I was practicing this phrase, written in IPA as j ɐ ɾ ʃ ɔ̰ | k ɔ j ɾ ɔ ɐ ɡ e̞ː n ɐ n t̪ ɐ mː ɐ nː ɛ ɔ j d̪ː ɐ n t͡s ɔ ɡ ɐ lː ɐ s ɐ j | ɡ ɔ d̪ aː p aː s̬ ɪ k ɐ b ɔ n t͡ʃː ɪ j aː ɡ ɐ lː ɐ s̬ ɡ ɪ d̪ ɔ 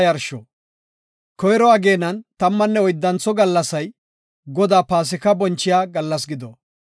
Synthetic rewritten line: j ɐ ɾ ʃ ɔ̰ | k ɔ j ɾ ɔ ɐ ɡ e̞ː n ɐ n t̪ ɐ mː ɐ nː ɛ ɔ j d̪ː ɐ n t͡s ɔ ɡ ɐ lː ɐ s ɐ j | ɡ ɔ d̪ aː p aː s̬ ɪ k ɐ b ɔ n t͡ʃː ɪ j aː ɡ ɐ lː ɐ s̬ ɡ ɪ d̪ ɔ